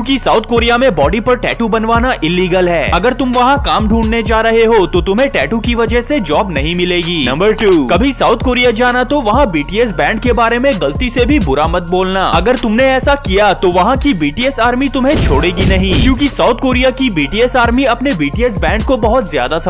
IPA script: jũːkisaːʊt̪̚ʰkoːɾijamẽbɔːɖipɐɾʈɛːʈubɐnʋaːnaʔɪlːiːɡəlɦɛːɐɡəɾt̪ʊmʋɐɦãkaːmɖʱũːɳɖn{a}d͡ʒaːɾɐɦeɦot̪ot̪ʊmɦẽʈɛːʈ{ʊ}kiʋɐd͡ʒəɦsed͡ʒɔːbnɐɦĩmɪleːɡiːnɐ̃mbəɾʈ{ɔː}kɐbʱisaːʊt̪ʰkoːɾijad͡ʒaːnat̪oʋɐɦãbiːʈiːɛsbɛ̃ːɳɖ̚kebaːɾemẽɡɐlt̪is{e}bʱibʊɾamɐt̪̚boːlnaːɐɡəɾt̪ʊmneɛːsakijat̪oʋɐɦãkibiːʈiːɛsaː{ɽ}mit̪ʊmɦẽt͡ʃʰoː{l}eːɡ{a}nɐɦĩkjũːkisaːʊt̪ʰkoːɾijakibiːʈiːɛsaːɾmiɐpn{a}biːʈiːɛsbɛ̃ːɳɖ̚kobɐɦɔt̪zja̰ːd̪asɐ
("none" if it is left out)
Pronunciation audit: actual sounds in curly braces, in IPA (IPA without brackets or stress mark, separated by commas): e, u, uː, e, ɾ, ɽ, i, e